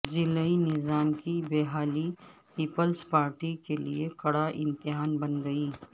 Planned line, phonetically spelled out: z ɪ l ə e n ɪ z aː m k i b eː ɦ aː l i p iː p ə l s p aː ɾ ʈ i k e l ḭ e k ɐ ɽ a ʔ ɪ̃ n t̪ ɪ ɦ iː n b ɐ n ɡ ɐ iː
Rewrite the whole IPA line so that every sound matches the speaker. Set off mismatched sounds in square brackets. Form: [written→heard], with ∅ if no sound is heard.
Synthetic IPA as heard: z ɪ l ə [e→i] n ɪ z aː m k i b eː ɦ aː l i p iː p ə l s p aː ɾ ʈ i k e l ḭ e k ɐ ɽ a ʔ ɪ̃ n t̪ ɪ ɦ [iː→aː] n b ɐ n ɡ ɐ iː